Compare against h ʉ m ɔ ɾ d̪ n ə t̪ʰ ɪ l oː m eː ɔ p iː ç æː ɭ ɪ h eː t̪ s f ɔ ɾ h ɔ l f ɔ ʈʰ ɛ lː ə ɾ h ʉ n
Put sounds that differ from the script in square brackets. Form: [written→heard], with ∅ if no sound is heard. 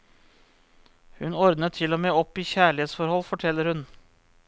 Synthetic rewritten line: h ʉ [m→n] ɔ ɾ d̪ n ə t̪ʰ ɪ l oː m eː ɔ p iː ç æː ɭ ɪ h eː t̪ s f ɔ ɾ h ɔ l f ɔ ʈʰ ɛ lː ə ɾ h ʉ n